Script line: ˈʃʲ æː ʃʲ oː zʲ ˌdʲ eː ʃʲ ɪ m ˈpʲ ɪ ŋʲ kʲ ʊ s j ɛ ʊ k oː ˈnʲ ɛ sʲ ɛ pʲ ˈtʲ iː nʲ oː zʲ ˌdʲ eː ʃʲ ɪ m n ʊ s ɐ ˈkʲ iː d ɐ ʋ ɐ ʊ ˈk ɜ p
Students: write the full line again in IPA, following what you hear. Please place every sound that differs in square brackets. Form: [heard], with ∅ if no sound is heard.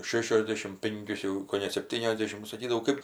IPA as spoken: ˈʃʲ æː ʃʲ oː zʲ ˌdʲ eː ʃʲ ɪ m ˈpʲ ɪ ŋʲ kʲ ʊ s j ɛ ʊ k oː ˈnʲ ɛ sʲ ɛ pʲ ˈtʲ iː nʲ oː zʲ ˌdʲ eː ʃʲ ɪ m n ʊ s ɐ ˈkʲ iː d ɐ ʋ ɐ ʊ ˈk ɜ p